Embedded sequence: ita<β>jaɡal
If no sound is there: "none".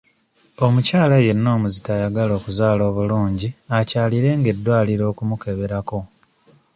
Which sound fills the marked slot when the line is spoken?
none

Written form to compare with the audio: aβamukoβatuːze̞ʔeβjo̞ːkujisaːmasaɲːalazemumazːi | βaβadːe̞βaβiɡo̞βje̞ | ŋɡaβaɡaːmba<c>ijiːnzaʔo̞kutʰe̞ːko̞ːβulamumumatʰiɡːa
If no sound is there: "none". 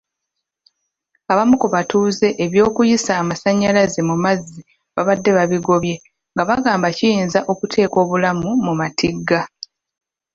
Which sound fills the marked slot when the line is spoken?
c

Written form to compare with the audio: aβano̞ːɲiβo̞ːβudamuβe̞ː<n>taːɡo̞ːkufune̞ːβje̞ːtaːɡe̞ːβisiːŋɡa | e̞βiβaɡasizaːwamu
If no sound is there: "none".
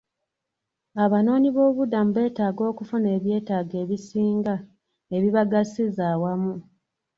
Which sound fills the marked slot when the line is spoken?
none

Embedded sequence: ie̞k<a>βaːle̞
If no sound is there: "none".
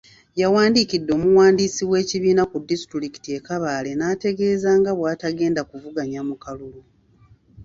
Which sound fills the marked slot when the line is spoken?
a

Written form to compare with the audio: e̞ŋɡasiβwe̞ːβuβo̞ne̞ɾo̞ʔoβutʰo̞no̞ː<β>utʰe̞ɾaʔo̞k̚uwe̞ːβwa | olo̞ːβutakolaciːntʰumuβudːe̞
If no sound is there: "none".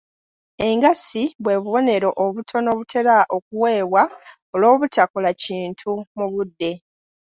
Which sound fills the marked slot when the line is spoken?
β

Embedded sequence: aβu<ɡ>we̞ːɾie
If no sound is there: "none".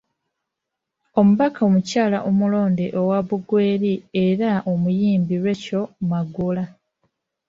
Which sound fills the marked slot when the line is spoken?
ɡ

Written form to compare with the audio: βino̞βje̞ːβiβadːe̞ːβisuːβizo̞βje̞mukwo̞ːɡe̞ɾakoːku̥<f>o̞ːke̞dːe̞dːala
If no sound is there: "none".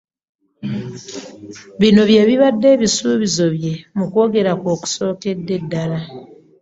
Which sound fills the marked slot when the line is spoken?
s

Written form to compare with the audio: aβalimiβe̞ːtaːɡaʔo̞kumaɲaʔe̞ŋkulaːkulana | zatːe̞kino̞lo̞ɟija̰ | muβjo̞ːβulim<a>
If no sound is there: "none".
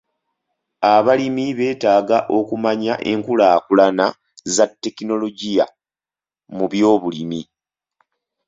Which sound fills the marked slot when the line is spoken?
i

